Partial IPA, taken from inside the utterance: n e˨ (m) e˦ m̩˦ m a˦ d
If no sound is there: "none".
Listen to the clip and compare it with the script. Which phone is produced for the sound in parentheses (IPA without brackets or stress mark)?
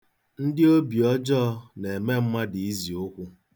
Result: m